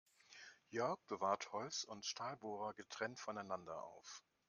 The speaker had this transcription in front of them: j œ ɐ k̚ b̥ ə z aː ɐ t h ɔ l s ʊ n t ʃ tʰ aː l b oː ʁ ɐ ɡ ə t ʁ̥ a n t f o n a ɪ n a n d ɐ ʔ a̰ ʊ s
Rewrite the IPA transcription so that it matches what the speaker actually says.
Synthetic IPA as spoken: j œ ɐ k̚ b̥ ə v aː ɐ t h ɔ l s ʊ n t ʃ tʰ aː l b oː ʁ ɐ ɡ ə t ʁ̥ ɛ n t f ɔ n a ɪ n a n d ɐ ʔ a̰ ʊ f